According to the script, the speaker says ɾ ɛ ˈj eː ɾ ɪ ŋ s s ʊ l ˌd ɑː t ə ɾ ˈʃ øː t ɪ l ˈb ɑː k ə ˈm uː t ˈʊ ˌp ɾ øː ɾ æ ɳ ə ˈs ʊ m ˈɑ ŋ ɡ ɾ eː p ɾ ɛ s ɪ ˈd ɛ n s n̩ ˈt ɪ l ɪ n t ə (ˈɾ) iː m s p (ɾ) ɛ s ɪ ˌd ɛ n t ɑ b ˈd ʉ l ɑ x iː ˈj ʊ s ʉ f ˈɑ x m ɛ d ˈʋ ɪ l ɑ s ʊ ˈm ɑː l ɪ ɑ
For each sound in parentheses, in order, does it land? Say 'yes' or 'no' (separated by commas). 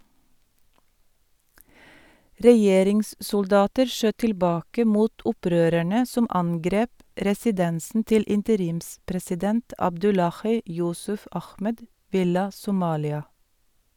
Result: yes, yes